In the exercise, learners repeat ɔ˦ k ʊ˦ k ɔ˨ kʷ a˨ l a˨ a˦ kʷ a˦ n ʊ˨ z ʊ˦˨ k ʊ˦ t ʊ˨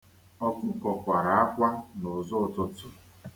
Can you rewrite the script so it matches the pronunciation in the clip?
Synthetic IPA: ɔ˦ k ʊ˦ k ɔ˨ kʷ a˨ ɾ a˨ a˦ kʷ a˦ n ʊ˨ z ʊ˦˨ t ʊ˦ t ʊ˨